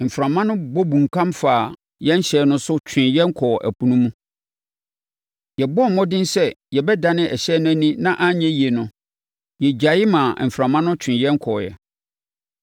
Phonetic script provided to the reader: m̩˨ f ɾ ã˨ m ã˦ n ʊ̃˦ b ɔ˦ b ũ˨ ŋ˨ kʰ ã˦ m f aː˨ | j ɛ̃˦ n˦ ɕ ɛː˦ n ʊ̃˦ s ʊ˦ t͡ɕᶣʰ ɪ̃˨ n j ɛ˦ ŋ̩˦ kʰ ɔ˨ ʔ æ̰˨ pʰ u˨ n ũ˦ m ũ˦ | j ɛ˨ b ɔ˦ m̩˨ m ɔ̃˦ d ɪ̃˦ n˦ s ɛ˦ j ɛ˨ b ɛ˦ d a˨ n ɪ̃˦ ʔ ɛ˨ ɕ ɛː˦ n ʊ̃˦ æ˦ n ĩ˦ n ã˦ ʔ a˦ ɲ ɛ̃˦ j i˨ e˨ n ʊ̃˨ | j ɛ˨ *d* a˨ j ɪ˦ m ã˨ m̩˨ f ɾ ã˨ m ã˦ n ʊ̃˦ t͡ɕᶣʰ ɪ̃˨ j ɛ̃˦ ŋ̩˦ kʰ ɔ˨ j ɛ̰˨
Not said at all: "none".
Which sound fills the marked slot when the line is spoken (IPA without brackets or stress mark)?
d͡ʑ